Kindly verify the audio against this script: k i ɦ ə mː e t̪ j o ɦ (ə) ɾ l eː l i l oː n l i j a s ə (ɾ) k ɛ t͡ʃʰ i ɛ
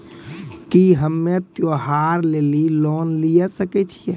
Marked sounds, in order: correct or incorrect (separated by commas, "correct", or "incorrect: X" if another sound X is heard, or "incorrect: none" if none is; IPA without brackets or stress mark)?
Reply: incorrect: a, incorrect: none